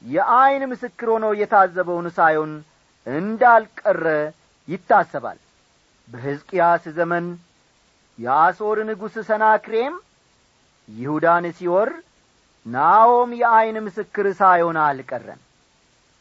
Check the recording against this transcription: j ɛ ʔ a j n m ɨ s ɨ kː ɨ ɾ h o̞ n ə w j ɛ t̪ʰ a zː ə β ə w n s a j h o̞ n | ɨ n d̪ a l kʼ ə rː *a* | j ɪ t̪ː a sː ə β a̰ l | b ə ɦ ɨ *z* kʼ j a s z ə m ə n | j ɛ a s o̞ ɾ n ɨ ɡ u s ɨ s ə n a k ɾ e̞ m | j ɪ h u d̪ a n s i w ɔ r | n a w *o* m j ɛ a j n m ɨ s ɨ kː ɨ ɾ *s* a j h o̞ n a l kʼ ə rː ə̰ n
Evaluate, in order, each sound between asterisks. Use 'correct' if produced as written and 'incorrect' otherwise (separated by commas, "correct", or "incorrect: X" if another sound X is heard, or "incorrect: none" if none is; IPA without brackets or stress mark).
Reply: incorrect: ə, correct, correct, correct